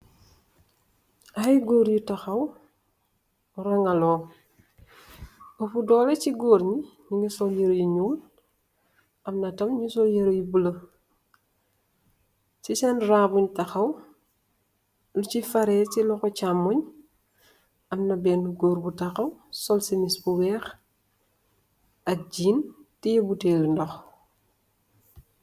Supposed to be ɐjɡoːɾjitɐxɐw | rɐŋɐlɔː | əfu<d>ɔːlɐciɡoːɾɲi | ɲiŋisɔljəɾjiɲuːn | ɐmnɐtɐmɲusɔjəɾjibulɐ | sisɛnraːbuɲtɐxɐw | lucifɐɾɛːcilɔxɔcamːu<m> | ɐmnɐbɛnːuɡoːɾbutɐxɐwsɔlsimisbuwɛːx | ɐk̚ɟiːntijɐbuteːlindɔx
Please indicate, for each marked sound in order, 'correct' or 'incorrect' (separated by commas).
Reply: correct, incorrect